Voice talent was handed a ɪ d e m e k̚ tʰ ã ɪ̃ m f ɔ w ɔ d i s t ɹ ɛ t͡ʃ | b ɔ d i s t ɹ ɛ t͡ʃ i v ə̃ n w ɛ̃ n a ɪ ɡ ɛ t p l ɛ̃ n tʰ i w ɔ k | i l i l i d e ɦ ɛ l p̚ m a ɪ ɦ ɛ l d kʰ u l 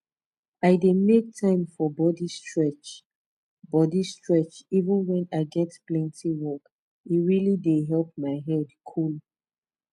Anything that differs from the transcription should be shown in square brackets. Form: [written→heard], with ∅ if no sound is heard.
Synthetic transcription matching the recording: a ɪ d e m e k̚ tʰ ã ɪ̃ m f ɔ [w→b] ɔ d i s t ɹ ɛ t͡ʃ | b ɔ d i s t ɹ ɛ t͡ʃ i v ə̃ n w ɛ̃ n a ɪ ɡ ɛ t p l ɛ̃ n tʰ i w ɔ k | i [l→ɹ] i l i d e ɦ ɛ l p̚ m a ɪ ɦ ɛ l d kʰ u l